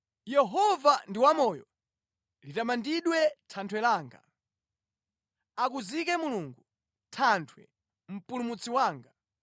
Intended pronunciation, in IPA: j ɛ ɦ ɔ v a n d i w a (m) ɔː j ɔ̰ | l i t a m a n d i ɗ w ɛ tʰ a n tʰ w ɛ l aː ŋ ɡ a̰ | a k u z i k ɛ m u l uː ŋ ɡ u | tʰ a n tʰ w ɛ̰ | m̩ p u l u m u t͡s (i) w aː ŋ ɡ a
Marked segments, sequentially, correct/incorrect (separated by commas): correct, correct